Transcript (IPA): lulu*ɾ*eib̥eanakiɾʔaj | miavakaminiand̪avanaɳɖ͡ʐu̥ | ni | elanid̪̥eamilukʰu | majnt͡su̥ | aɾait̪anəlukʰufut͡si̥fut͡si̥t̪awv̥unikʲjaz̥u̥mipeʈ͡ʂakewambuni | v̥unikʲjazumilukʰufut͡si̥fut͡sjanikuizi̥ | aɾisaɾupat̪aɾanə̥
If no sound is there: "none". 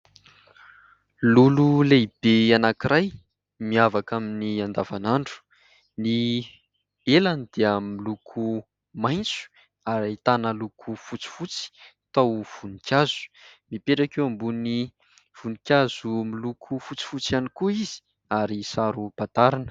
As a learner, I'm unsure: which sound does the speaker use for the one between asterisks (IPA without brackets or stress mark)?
l